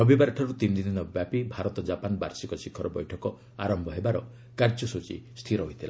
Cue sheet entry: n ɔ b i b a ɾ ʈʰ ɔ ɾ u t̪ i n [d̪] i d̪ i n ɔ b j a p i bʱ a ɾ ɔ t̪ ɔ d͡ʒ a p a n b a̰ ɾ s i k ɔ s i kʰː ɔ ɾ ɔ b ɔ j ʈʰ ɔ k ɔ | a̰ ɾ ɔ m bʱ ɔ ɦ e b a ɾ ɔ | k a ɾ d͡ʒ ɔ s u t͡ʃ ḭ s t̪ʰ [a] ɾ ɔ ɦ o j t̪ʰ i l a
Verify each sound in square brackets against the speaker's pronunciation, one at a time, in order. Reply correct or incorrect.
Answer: correct, incorrect: i

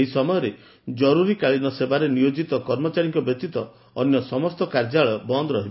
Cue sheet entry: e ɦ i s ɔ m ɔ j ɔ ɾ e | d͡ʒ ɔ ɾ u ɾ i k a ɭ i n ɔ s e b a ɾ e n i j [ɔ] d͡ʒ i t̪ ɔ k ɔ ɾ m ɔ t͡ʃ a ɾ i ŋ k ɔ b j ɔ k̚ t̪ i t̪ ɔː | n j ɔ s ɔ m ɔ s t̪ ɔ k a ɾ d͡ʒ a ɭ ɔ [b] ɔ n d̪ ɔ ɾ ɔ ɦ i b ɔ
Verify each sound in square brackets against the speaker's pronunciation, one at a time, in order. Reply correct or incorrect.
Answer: incorrect: o, correct

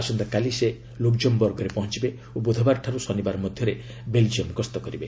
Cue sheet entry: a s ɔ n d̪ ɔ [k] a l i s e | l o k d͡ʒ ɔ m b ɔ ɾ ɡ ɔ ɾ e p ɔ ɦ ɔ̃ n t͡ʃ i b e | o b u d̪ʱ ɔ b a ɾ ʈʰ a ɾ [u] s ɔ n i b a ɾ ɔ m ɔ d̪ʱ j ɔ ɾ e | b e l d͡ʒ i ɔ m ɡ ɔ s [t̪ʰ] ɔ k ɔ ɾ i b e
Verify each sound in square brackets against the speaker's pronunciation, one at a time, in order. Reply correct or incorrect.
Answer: correct, correct, incorrect: t̪

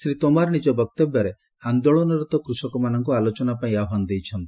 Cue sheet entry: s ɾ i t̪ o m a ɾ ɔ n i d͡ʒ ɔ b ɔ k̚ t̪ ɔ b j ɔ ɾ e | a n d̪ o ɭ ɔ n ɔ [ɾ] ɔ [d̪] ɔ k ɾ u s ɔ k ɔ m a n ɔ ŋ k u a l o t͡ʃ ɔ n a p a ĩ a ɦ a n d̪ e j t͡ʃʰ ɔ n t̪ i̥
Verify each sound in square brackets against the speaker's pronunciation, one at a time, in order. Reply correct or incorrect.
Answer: correct, incorrect: t̪

